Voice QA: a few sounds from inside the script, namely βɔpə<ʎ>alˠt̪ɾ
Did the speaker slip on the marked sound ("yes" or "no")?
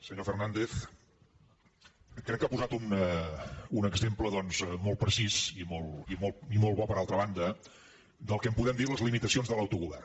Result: yes